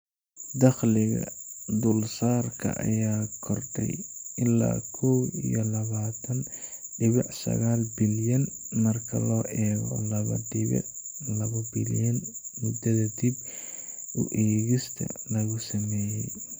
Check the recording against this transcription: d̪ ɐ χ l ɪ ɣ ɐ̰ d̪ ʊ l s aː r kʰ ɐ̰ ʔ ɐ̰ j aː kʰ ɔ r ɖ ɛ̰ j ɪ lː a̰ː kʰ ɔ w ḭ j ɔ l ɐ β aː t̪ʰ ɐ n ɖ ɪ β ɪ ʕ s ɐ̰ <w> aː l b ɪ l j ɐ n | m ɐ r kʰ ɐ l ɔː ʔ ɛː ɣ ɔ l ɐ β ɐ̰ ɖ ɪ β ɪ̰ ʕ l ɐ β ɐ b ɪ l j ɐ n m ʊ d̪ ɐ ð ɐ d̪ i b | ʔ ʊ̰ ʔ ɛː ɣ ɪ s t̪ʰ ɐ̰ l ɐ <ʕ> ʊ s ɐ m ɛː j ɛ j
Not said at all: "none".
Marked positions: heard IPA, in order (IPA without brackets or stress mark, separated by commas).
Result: ɣ, ɣ